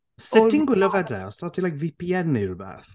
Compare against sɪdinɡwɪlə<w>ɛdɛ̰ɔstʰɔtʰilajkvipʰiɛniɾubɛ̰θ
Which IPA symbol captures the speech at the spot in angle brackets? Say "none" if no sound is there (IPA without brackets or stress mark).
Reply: v